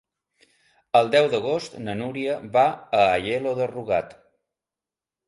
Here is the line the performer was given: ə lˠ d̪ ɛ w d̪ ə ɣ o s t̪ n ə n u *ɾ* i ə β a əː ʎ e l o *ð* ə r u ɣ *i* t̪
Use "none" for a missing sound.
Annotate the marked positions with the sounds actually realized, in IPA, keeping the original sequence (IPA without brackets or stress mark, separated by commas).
ɾ, ð, a